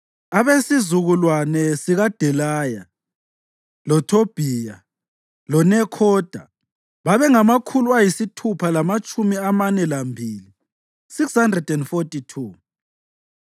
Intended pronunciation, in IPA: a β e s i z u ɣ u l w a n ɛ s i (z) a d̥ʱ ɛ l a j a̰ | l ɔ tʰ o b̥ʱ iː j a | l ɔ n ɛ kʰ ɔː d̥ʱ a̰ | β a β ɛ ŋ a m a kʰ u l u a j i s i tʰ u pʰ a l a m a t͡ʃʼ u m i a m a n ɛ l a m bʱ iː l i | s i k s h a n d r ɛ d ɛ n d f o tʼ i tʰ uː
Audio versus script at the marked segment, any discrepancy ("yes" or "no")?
yes